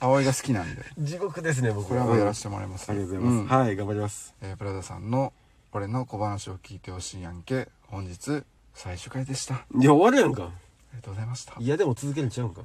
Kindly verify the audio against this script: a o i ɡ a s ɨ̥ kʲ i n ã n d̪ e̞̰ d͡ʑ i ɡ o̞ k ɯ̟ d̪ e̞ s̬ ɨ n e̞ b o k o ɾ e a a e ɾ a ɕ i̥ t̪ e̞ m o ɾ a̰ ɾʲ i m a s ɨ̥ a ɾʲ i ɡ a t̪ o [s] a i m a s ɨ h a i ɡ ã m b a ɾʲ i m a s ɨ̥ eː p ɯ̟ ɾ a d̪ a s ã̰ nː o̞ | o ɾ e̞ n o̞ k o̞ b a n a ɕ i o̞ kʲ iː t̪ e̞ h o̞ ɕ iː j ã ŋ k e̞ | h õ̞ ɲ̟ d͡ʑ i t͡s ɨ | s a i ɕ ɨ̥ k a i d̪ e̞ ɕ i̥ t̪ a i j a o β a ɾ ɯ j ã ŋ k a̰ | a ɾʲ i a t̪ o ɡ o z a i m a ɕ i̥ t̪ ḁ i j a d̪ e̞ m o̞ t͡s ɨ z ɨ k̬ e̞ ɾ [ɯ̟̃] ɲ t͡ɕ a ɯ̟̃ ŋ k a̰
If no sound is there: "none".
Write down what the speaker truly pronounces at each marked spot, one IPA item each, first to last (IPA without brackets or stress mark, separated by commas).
z, ɯ̟